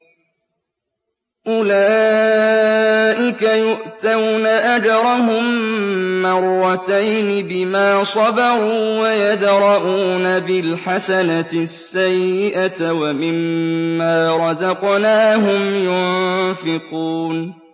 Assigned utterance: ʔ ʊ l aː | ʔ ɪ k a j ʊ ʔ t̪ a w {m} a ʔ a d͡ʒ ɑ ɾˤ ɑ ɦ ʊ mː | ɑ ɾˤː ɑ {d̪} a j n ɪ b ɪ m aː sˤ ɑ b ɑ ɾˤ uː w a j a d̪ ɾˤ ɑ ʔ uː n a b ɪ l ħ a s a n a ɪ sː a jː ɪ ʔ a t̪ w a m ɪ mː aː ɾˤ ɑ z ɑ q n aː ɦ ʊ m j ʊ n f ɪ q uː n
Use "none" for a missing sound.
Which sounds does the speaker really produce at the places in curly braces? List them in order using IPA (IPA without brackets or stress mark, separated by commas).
n, t̪